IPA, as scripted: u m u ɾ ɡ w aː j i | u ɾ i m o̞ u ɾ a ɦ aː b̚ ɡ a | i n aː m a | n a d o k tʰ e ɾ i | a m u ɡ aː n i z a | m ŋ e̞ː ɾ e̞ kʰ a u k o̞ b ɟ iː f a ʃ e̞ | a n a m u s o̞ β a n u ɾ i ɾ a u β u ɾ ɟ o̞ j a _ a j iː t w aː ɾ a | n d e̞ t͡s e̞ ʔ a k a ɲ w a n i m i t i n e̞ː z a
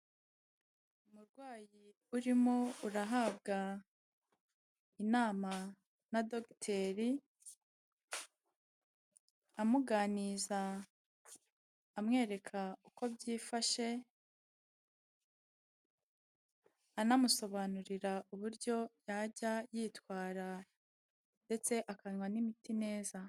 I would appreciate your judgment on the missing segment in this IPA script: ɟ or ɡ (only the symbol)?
ɟ